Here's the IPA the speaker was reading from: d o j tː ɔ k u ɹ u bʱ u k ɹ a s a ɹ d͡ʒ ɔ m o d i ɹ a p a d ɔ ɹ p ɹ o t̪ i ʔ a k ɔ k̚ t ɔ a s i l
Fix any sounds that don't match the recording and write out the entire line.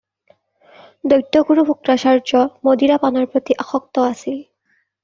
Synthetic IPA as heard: d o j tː ɔ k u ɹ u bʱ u k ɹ a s a ɹ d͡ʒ ɔ m o d i ɹ a p a n ɔ ɹ p ɹ o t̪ i ʔ a x ɔ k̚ t ɔ a s i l